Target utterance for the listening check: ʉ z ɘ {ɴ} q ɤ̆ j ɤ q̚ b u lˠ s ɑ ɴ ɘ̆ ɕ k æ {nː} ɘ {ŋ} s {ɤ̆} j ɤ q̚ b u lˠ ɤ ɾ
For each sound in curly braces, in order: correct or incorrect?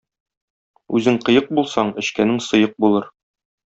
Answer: incorrect, incorrect, correct, correct

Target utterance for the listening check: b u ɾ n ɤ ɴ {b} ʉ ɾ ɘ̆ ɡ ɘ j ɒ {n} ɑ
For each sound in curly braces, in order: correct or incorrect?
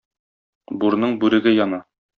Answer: correct, correct

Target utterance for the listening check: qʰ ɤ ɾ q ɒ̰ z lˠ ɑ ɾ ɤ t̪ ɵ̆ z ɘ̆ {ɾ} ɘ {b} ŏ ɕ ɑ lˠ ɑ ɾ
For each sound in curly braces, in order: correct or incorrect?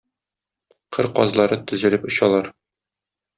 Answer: incorrect, incorrect

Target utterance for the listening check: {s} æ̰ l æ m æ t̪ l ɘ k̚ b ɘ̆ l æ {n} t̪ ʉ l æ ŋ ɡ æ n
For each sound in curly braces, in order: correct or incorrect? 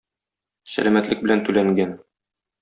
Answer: correct, correct

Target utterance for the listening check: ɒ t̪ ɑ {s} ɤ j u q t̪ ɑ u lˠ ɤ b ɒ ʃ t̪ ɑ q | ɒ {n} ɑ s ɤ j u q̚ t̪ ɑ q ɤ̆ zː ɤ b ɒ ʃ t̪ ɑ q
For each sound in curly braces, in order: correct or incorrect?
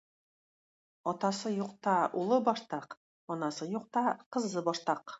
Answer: correct, correct

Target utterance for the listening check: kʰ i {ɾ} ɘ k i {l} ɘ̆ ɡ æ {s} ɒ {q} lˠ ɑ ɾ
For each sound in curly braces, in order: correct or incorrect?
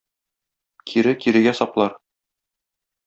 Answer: correct, incorrect, correct, incorrect

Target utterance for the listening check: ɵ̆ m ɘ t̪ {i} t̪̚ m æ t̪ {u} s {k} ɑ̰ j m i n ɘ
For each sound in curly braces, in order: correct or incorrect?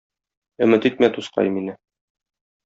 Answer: correct, correct, incorrect

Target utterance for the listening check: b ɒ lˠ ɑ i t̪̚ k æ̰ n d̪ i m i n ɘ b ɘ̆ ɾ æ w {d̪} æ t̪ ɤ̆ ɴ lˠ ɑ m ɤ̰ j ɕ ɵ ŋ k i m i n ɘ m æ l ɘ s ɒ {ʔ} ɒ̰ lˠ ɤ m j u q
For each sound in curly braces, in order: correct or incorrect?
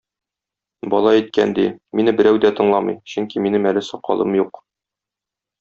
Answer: correct, incorrect

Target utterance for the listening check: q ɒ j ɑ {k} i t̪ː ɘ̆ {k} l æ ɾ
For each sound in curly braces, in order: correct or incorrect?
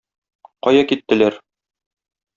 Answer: correct, incorrect

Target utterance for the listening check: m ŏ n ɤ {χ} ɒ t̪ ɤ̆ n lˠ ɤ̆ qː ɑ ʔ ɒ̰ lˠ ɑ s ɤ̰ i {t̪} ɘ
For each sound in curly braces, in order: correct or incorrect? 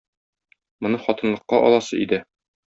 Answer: correct, incorrect

